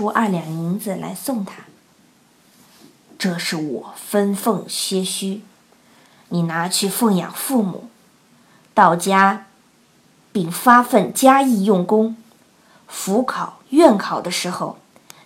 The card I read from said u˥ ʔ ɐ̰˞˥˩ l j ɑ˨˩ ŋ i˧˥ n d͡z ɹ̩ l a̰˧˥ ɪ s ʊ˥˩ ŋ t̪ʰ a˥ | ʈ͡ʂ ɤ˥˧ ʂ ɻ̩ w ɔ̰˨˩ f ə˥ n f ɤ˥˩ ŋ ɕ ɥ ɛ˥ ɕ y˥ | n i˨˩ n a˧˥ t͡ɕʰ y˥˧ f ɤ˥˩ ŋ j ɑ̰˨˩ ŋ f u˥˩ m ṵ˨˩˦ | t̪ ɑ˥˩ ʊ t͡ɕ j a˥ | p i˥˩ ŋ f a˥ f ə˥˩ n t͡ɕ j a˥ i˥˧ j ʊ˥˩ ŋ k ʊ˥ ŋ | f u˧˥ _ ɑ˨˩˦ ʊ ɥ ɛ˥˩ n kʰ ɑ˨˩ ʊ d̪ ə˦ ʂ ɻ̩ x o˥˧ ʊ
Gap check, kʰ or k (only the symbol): kʰ